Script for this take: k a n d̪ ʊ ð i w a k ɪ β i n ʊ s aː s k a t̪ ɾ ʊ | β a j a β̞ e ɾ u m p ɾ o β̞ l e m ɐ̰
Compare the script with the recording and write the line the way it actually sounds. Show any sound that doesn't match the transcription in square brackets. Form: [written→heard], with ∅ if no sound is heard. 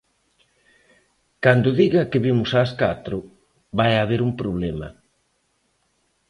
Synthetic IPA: k a n d̪ ʊ ð i [w→ɣ] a k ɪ β i [n→m] ʊ s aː s k a t̪ ɾ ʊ | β a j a β̞ e ɾ u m p ɾ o β̞ l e m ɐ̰